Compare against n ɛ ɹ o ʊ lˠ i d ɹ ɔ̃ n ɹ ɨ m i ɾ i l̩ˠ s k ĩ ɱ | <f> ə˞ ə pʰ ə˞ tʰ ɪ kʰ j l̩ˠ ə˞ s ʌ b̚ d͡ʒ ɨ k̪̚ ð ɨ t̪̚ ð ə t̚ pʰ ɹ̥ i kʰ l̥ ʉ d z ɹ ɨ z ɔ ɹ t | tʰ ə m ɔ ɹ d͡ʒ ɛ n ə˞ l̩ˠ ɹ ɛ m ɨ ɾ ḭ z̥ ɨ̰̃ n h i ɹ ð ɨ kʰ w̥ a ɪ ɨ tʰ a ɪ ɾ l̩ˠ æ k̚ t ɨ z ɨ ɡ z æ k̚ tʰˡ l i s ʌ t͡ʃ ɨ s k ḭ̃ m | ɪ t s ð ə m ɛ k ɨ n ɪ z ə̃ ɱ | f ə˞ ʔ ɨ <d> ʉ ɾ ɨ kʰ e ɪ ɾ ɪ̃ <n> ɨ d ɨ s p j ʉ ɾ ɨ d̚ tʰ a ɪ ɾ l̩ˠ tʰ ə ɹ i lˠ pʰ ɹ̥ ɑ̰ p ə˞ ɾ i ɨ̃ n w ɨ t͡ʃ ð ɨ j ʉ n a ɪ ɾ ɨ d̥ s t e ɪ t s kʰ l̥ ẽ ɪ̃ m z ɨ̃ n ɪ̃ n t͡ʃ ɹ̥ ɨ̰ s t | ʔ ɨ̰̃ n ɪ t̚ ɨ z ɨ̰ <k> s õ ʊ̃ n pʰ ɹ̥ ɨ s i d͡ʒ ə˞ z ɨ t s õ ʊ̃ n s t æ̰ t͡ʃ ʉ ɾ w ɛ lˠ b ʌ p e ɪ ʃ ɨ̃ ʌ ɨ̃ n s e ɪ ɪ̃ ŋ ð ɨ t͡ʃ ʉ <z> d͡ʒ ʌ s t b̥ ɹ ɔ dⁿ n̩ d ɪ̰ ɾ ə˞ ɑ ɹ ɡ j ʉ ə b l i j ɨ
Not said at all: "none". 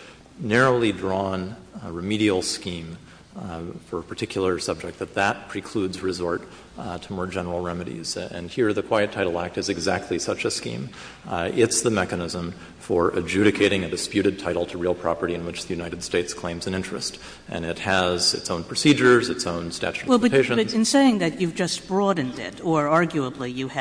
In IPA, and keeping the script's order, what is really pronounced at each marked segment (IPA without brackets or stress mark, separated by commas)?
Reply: f, d͡ʒ, ŋ, t, v